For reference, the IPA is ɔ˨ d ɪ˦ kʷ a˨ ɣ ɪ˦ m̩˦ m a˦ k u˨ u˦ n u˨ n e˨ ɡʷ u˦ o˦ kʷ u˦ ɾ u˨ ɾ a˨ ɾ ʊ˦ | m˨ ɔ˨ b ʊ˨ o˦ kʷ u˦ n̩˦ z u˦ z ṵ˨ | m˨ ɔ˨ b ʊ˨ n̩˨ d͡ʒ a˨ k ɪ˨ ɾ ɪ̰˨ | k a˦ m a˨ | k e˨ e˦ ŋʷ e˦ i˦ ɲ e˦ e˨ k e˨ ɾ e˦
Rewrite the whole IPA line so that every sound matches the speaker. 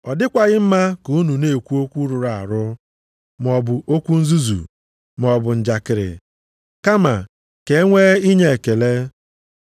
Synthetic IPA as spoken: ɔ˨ d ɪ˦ kʷ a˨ ɣ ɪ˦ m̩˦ m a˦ k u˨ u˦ n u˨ n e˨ kʷ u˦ o˦ kʷ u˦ ɾ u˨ ɾ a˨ ɾ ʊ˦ | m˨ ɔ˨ b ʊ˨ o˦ kʷ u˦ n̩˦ z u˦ z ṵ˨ | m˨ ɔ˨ b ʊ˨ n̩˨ d͡ʒ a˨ k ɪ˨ ɾ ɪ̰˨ | k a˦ m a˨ | k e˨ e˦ ŋʷ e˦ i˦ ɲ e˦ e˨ k e˨ l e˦